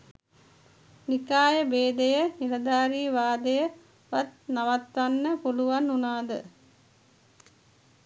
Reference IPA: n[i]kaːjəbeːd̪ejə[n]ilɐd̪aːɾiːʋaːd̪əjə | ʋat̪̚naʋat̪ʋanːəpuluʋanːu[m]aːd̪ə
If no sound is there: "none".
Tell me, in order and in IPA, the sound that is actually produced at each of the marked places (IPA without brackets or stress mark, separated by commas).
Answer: i, n, n